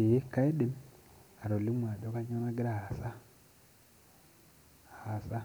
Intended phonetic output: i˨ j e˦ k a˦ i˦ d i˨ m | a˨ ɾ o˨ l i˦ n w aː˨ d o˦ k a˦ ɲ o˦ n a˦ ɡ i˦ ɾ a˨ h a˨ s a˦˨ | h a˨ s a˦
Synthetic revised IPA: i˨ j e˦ k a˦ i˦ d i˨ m | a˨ ɾ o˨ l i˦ m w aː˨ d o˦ k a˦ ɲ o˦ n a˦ ɡ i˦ ɾ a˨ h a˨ s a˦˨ | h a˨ s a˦